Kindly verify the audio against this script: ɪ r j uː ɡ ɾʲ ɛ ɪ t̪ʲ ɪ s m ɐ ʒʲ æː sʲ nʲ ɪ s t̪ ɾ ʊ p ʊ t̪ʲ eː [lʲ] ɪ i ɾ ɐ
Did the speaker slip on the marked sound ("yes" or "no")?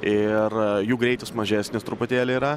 no